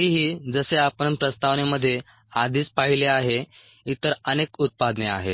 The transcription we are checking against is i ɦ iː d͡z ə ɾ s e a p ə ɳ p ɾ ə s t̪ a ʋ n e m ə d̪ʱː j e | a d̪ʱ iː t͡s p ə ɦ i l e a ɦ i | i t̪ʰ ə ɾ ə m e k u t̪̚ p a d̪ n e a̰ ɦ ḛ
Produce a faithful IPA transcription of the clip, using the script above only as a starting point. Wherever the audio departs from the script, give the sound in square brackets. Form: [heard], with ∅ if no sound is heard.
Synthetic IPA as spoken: i ɦ iː d͡z ə [∅] s e a p ə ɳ p ɾ ə s t̪ a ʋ n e m ə d̪ʱː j e | a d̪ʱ iː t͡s p [a] ɦ i l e a ɦ [e] | i [t̪] ə ɾ ə [n] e k u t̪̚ p a d̪ n e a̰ ɦ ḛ